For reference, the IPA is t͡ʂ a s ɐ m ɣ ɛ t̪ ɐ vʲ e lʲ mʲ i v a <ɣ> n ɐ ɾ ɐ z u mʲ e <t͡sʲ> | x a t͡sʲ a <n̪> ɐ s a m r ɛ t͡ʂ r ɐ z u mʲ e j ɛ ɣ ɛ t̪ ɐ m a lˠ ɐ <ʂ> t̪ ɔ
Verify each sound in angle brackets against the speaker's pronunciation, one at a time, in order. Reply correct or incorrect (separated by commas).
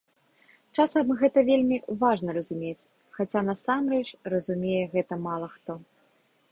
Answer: incorrect, correct, correct, incorrect